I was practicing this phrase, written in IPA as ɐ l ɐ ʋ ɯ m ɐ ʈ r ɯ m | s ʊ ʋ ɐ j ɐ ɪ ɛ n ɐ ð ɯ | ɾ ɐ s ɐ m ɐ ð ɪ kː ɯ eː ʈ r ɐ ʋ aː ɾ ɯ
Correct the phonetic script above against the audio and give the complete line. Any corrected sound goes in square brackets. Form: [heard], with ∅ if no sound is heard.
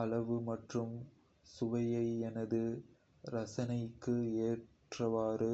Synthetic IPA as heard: ɐ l ɐ ʋ ɯ m ɐ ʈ r ɯ m | s ʊ ʋ ɐ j ɐ ɪ ɛ n ɐ ð ɯ | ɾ ɐ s ɐ [n] ɐ [∅] ɪ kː ɯ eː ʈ r ɐ ʋ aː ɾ ɯ